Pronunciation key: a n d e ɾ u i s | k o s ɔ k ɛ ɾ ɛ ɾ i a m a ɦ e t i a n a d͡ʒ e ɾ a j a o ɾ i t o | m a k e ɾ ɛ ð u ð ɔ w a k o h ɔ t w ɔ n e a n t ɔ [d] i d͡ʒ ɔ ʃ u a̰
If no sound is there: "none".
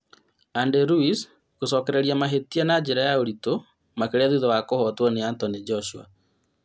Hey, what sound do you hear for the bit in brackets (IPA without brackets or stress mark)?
n